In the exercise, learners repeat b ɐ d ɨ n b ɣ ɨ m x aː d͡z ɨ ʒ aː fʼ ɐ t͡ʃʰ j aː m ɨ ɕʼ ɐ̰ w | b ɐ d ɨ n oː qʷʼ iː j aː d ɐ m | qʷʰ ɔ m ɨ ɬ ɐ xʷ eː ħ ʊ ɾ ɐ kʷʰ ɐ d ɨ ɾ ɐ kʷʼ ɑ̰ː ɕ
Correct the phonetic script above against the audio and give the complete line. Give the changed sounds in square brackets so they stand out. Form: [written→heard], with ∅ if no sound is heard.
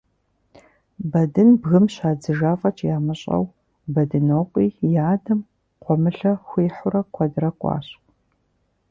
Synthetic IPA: b ɐ d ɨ n b ɣ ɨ m [x→ɕ] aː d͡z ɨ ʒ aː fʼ ɐ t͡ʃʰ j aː m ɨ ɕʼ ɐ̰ w | b ɐ d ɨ n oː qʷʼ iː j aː d ɐ m | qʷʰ ɔ m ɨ ɬ ɐ xʷ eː ħ ʊ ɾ ɐ kʷʰ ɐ d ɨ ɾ ɐ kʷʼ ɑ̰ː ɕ